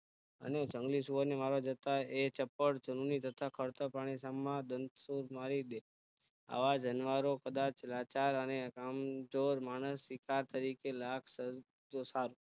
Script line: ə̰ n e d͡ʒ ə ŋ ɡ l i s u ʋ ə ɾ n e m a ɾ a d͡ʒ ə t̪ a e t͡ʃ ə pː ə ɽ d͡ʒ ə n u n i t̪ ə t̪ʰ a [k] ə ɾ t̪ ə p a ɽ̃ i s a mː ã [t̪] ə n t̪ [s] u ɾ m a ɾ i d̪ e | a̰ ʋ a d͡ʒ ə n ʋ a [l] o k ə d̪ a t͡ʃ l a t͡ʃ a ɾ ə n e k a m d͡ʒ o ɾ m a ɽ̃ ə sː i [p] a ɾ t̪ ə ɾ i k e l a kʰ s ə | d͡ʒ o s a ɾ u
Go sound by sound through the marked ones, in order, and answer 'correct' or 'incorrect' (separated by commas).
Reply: incorrect, incorrect, correct, incorrect, incorrect